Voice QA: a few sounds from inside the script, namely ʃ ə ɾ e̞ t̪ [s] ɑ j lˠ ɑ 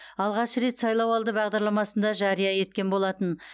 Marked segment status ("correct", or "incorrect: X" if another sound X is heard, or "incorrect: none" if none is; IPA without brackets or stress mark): correct